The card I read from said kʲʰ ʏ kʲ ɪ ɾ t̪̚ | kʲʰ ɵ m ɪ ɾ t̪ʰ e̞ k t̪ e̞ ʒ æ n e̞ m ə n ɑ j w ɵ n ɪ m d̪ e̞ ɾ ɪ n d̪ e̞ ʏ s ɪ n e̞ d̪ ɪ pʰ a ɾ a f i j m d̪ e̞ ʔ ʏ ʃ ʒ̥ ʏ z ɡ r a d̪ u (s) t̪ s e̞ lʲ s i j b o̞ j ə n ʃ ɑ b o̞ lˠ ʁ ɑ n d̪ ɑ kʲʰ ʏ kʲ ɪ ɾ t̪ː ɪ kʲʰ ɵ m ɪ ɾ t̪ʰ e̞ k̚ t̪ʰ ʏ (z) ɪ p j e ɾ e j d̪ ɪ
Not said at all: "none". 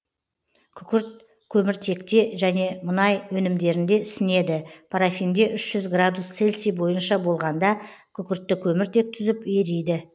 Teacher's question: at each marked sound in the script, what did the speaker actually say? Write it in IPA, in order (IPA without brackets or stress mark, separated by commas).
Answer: s, z